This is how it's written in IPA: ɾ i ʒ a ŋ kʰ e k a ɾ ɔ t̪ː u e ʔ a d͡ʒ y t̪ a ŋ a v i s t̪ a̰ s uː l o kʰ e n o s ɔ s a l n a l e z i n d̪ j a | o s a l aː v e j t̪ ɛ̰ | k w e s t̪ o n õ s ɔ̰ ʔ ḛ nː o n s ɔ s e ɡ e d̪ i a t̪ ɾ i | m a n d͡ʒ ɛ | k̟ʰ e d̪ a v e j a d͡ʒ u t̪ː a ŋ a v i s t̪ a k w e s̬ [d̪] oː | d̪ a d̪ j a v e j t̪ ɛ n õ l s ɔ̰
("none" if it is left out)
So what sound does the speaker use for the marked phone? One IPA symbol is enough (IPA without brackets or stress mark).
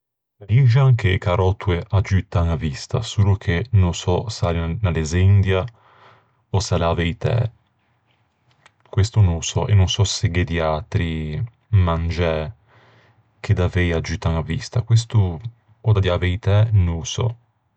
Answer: t̪